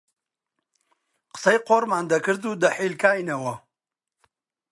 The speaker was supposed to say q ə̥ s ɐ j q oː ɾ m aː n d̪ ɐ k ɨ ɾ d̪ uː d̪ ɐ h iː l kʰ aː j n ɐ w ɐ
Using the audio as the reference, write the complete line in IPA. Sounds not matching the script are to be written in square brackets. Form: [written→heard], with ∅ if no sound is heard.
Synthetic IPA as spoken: q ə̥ s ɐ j q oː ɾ m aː n d̪ ɐ k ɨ ɾ d̪ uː d̪ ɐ [h→ħ] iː l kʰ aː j n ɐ w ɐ